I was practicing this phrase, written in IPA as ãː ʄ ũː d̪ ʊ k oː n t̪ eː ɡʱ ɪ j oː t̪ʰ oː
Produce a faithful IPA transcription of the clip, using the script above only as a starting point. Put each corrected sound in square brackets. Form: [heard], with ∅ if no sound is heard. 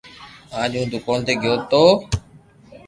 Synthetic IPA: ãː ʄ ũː d̪ ʊ k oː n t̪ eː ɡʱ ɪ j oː [t̪] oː